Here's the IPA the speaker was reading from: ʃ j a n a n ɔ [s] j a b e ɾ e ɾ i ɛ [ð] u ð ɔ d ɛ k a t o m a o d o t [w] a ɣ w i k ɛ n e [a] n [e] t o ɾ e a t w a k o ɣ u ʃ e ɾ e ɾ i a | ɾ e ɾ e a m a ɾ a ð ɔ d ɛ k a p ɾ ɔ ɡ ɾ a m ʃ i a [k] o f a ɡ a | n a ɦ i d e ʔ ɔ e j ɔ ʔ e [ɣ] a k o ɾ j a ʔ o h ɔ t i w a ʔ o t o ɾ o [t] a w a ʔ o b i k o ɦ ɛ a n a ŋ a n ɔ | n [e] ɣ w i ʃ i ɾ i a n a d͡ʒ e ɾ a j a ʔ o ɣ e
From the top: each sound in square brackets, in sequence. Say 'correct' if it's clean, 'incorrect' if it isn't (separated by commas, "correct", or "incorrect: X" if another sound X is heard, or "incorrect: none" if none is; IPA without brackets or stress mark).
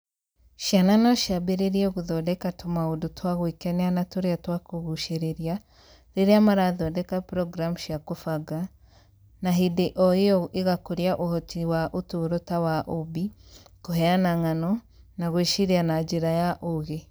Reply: incorrect: ʃ, incorrect: ɣ, correct, correct, incorrect: a, correct, correct, correct, incorrect: a